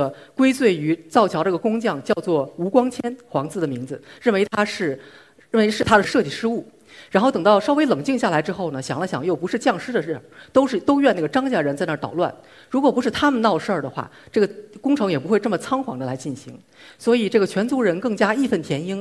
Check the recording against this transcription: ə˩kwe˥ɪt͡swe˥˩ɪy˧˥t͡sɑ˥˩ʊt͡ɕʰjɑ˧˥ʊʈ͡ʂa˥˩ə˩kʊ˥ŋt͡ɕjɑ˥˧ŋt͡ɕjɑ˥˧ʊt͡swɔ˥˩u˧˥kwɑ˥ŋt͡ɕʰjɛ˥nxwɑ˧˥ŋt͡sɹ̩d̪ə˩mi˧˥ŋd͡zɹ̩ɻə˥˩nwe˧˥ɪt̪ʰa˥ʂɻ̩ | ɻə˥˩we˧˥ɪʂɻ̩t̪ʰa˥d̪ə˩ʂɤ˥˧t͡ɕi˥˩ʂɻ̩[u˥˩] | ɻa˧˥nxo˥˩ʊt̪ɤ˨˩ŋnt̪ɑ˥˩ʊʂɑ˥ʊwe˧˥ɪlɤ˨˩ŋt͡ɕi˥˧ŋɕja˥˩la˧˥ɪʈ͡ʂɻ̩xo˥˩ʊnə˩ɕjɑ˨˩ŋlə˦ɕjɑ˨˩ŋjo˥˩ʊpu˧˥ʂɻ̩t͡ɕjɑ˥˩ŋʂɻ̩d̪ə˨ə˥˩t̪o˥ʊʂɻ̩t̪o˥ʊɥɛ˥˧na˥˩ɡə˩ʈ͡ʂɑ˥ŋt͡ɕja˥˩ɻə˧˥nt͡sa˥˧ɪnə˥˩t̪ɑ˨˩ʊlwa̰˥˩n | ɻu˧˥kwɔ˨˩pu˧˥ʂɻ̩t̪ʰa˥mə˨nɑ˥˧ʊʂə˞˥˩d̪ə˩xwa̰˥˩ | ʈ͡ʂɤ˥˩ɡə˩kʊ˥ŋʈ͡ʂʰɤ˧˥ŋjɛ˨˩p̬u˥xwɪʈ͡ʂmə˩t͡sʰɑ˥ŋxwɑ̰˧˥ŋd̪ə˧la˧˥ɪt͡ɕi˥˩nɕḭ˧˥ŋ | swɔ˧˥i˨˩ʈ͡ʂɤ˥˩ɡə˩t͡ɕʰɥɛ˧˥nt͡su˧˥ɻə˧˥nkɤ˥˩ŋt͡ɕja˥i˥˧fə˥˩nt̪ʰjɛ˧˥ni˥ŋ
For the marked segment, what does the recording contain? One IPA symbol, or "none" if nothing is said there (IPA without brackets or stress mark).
u˥˩